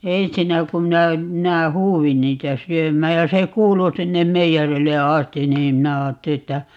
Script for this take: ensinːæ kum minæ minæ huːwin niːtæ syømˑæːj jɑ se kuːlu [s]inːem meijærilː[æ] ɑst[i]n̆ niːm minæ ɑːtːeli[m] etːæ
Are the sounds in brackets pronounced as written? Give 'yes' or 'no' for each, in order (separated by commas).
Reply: yes, no, yes, no